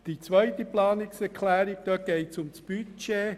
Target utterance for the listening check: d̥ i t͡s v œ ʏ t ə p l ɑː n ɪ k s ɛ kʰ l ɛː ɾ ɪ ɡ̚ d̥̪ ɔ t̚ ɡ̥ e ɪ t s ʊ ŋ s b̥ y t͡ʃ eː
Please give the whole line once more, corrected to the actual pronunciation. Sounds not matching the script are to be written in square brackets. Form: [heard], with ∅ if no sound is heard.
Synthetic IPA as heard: d̥ i t͡s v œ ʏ t ə p l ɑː n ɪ k s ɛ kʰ l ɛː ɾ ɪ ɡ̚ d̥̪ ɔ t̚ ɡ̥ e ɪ t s ʊ [m] s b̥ y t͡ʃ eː